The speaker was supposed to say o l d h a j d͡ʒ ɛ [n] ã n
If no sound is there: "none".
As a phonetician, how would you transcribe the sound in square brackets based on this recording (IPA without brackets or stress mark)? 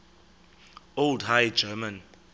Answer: m